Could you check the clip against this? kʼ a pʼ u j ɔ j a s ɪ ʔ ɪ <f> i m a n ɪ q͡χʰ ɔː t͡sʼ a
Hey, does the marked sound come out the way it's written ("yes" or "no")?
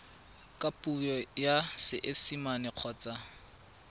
no